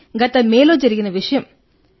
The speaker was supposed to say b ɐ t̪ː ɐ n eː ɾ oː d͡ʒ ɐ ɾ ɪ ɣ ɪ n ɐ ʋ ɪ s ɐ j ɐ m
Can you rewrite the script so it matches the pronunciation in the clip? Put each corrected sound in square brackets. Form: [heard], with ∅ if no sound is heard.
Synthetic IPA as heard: [ɡ] ɐ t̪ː ɐ [m] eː [l] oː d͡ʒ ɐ ɾ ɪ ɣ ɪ n ɐ ʋ ɪ [ʂ] ɐ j ɐ m